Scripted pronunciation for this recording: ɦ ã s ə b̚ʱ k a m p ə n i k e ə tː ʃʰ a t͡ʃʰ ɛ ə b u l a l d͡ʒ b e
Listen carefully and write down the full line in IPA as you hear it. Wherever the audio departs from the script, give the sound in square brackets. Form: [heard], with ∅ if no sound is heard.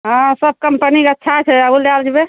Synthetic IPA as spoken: ɦ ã s ə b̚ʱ k [ə] m p ə n i k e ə tː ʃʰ a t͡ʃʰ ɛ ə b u l a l d͡ʒ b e